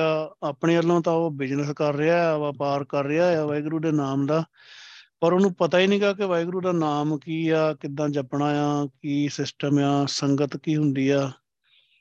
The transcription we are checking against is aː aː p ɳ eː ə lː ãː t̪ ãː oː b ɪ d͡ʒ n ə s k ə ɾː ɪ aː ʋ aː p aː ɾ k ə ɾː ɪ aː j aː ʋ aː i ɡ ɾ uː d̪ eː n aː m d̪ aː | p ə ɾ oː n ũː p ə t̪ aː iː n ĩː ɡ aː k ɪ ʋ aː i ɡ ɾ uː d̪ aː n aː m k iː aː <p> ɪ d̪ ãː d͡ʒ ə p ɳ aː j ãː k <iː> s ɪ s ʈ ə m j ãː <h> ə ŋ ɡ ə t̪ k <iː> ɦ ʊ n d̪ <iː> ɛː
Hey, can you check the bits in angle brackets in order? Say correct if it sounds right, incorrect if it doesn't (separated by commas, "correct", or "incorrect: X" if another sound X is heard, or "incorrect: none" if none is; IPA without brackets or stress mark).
incorrect: k, correct, incorrect: s, correct, correct